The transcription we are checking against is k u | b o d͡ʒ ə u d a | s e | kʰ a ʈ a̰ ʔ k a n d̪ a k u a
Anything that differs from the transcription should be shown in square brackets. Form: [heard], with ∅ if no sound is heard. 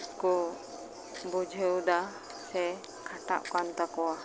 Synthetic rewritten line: k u | b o d͡ʒ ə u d a | s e | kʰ a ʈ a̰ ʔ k a n [t̪] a k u a